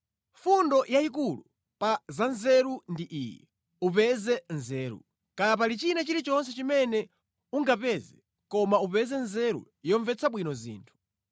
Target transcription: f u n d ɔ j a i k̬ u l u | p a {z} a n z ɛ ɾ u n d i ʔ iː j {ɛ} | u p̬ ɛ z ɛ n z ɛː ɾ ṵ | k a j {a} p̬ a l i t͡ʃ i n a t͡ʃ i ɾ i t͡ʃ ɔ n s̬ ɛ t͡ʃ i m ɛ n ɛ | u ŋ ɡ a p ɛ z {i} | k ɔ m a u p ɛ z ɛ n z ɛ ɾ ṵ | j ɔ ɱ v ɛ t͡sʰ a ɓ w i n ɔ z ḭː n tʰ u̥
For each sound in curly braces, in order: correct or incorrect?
correct, correct, correct, incorrect: ɛ

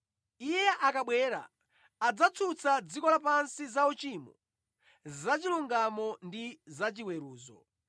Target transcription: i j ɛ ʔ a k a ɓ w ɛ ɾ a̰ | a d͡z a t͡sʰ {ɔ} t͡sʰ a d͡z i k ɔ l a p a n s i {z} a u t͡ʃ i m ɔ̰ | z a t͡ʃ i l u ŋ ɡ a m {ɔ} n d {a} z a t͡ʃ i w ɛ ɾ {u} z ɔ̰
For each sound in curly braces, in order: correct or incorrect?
incorrect: u, correct, correct, incorrect: i, incorrect: uː

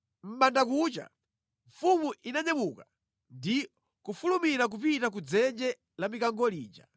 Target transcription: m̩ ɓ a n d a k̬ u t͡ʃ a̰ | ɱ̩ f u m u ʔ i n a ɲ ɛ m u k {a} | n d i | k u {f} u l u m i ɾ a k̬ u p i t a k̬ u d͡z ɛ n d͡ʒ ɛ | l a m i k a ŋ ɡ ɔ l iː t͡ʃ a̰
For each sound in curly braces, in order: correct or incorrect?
correct, correct

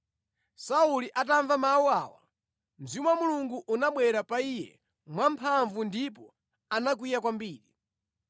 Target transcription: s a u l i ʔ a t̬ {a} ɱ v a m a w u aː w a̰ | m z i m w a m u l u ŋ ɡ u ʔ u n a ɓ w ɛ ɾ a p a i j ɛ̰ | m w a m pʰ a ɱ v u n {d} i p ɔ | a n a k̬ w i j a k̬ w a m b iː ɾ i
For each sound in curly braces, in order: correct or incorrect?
correct, correct

